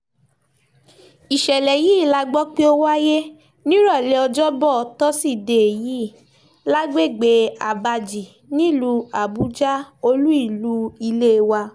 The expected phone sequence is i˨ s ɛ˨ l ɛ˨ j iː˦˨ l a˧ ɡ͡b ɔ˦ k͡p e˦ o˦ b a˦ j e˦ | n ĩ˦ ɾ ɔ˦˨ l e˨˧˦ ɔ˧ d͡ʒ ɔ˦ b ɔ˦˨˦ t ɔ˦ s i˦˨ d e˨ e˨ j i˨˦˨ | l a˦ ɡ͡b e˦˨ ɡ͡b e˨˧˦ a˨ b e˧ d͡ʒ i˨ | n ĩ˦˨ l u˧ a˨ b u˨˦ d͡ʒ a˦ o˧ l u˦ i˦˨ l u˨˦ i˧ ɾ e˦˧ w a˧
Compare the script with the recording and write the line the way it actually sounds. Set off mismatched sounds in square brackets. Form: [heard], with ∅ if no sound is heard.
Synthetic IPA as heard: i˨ [ʃ] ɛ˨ l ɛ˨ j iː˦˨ l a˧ ɡ͡b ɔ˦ k͡p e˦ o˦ [w] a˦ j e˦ | n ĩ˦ ɾ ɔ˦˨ l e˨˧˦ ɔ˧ d͡ʒ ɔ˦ b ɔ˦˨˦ t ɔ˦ s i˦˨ d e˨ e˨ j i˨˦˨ | l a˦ ɡ͡b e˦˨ ɡ͡b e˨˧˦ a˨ b [a˧] d͡ʒ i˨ | n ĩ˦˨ l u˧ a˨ b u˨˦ d͡ʒ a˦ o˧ l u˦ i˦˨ l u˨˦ i˧ [l] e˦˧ w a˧